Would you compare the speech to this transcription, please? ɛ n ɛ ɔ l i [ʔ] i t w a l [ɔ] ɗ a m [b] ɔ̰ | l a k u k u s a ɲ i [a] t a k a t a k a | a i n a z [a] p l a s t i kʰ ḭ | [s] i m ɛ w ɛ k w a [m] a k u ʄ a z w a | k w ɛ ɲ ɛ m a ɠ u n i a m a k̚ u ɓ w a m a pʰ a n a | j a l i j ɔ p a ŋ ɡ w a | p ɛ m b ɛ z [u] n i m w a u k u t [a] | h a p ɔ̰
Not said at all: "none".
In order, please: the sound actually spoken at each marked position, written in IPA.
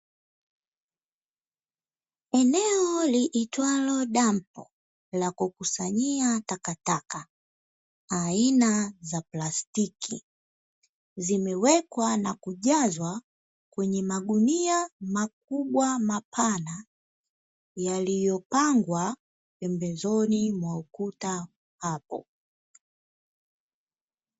ʔ, ɔ, p, a, a, z, n, ɔ, a

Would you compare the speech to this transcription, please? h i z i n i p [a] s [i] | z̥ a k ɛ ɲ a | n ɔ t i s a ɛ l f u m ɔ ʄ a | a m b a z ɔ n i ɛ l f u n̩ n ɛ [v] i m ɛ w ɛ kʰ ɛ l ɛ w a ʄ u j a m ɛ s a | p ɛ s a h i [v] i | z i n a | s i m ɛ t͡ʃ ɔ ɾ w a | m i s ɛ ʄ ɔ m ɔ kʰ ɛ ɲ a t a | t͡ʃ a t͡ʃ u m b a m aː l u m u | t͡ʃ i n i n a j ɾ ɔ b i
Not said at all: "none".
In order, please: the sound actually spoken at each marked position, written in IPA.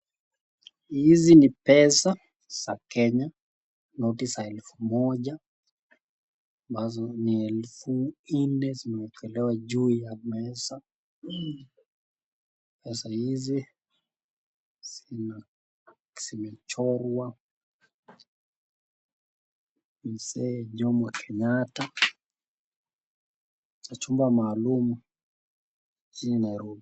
ɛ, a, z, z

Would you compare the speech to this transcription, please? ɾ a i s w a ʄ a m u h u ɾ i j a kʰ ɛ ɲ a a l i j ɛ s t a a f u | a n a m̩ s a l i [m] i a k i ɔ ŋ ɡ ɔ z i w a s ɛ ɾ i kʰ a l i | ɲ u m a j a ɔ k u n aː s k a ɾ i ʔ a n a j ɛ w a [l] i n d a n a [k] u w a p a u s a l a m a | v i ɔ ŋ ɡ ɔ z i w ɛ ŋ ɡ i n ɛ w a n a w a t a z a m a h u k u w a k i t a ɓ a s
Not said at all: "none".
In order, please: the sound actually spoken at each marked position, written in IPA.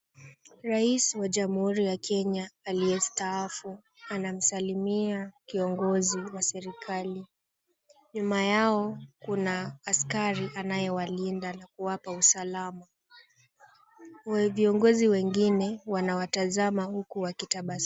m, l, k

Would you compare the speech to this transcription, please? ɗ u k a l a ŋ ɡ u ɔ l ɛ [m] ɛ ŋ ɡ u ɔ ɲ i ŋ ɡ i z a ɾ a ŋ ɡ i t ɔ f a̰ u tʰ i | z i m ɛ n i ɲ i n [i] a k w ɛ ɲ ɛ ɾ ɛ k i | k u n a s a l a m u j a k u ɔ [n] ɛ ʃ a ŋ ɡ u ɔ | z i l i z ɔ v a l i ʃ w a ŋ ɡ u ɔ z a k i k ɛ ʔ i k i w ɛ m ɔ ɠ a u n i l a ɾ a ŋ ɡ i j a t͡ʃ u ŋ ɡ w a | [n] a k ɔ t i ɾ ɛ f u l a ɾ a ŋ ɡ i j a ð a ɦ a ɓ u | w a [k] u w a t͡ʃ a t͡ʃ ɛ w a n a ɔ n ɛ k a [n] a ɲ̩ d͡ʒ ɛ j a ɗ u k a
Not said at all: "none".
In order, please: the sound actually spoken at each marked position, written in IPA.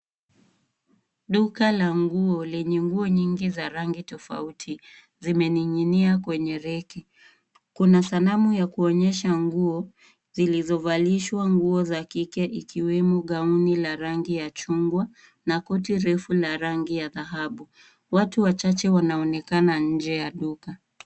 ɲ, i, ɲ, n, t, n

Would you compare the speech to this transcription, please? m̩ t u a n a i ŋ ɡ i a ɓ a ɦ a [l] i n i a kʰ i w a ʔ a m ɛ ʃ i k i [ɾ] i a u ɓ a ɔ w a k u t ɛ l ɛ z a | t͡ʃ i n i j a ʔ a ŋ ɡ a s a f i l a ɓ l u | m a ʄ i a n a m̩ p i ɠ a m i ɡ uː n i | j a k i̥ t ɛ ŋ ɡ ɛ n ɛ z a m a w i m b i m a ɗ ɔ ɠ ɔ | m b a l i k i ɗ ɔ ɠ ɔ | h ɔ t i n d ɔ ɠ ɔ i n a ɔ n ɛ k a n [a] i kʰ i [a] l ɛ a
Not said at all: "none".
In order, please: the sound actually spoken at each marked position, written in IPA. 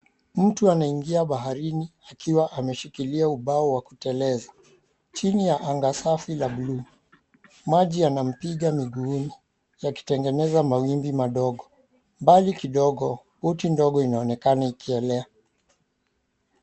ɾ, l, a, ɛ

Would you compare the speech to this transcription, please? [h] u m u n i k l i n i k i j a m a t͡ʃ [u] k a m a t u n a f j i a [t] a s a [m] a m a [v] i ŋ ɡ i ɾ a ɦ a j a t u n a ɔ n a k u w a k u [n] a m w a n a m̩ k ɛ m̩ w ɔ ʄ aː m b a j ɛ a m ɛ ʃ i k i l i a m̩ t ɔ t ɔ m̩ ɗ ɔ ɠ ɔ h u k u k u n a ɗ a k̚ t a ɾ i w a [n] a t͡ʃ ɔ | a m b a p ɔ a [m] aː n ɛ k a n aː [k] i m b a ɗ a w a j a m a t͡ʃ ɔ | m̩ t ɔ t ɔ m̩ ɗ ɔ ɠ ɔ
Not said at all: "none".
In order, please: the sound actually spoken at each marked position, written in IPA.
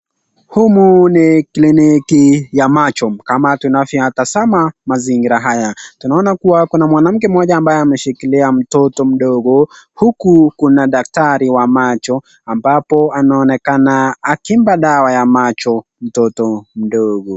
h, ɔ, t, m, z, n, m, n, k

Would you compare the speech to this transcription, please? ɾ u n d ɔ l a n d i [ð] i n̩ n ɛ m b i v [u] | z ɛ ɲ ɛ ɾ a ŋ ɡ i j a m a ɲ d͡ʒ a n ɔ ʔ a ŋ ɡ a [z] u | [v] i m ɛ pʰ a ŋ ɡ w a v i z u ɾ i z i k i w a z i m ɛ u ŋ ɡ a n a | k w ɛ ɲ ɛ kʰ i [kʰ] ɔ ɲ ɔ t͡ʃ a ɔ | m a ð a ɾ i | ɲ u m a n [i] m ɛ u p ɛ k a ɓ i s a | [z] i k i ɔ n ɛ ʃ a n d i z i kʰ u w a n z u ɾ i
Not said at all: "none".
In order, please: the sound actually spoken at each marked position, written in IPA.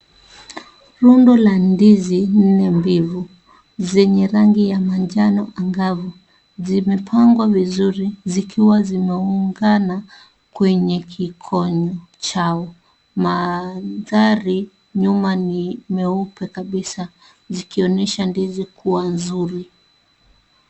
z, u, v, z, kʰ, i, z

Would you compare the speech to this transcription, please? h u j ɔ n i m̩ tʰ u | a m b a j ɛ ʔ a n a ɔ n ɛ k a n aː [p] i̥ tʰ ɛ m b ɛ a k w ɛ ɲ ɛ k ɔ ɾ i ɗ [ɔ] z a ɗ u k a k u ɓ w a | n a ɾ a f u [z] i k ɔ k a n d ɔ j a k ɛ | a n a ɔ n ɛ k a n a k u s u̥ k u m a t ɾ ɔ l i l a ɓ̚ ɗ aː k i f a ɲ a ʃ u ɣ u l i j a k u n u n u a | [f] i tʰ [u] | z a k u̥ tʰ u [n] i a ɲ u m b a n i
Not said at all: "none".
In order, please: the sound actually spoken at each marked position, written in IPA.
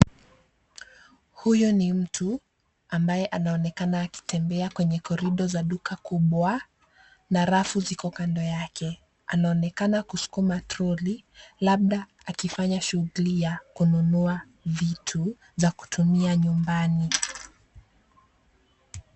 k, ɔ, z, v, u, m

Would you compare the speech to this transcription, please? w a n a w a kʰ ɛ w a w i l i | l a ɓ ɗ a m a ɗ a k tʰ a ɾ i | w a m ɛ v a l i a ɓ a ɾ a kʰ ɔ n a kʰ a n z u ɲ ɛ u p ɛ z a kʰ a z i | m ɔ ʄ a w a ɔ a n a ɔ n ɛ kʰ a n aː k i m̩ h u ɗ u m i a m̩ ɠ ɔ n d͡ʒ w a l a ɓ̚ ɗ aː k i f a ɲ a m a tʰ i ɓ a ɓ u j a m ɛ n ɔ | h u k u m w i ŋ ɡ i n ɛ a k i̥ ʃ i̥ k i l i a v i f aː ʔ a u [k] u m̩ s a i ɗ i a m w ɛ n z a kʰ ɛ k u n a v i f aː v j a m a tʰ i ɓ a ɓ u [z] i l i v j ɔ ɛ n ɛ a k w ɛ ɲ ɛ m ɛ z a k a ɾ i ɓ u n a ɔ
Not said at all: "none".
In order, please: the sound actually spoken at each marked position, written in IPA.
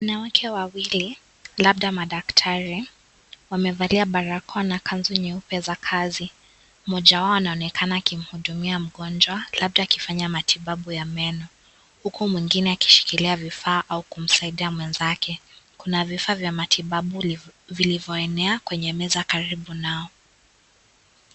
k, v

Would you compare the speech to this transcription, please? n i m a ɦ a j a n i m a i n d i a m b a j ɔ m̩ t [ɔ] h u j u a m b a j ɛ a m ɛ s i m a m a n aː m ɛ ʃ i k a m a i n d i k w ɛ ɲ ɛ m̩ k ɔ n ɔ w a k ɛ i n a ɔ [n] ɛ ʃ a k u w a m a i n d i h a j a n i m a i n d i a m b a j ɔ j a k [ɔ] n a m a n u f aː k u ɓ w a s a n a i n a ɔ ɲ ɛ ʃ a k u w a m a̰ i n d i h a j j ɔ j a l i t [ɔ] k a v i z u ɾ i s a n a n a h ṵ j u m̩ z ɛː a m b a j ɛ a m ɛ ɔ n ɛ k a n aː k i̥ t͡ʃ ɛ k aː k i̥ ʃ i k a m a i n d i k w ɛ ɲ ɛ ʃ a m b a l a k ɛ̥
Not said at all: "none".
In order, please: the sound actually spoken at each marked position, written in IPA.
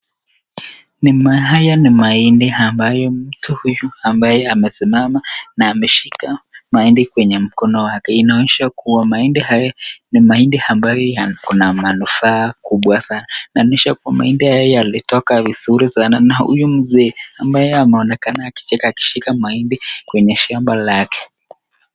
u, ɲ, u, ɔ

